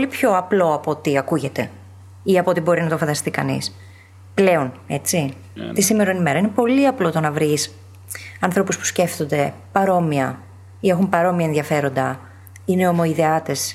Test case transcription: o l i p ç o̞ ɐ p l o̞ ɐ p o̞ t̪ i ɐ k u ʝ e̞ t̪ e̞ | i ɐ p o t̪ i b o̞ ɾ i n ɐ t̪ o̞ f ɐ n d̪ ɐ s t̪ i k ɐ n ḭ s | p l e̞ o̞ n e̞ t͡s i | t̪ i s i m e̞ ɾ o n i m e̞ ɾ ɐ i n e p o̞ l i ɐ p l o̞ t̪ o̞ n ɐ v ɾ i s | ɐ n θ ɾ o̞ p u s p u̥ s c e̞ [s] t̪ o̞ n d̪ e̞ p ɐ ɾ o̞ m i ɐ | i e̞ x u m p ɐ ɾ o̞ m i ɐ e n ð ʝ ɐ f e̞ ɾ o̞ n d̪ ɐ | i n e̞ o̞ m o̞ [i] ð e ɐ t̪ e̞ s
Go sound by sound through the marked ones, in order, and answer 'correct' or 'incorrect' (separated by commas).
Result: incorrect, correct